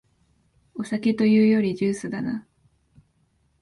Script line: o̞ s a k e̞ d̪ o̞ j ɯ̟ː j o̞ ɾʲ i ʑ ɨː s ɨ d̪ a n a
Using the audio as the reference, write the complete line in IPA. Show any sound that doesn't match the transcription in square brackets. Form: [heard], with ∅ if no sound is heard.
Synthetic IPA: o̞ s a k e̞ [t̪] o̞ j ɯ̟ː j o̞ ɾʲ i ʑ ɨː s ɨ d̪ a n a